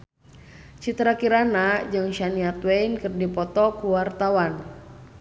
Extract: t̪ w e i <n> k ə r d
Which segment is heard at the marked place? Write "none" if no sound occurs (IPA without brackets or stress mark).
n